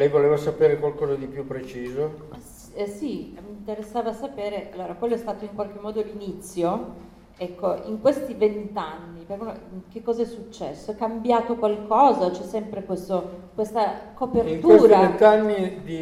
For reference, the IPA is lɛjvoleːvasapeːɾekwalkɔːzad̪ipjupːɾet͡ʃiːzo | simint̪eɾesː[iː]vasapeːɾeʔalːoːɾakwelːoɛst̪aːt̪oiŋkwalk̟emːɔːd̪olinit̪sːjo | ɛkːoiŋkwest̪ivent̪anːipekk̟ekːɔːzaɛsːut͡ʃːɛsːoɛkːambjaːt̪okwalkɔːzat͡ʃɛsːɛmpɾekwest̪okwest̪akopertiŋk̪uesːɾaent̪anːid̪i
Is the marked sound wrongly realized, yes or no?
yes